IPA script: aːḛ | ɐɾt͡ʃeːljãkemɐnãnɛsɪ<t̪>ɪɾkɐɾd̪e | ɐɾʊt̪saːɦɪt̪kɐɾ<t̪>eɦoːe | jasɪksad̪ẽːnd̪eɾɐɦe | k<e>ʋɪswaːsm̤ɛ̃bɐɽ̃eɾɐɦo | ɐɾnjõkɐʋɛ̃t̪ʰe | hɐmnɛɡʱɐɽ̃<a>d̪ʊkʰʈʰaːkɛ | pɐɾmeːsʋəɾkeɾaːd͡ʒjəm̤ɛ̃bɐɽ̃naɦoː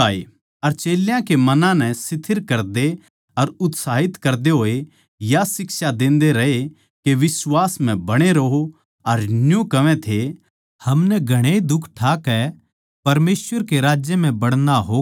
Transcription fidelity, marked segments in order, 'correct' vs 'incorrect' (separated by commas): incorrect, incorrect, correct, incorrect